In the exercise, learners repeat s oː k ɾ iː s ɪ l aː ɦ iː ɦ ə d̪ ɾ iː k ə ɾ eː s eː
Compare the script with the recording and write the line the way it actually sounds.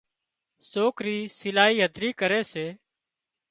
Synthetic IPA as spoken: s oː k ɾ iː s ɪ l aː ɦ iː ɦ ə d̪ ɾ iː k ə ɾ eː s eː